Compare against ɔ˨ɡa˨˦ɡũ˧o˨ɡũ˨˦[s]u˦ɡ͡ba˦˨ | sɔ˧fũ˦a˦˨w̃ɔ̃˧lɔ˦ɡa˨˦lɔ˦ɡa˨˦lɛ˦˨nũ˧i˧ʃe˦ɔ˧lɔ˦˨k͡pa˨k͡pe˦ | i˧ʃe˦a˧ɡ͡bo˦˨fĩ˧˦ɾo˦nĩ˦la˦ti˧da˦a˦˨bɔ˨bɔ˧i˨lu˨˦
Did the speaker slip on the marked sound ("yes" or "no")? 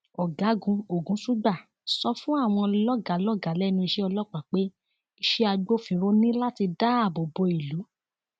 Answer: no